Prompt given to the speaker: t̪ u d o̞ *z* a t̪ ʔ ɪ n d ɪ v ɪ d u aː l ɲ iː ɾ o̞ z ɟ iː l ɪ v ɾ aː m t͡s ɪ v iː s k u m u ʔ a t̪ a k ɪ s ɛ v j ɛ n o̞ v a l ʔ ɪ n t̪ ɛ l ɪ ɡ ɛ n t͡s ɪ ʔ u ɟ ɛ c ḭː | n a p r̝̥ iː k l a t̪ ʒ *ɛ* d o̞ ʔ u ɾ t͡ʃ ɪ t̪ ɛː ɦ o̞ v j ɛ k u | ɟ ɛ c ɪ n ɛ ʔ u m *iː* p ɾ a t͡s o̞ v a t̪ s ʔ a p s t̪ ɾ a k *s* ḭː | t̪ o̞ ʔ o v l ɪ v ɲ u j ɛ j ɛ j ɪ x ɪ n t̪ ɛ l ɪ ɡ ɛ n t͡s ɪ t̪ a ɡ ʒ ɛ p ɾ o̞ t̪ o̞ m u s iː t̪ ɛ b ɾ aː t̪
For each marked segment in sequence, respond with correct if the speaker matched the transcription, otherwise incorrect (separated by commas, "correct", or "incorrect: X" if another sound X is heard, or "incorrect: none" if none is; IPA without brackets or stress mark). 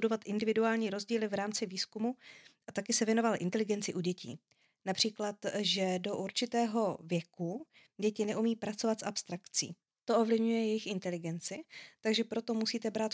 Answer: incorrect: v, correct, correct, incorrect: t͡s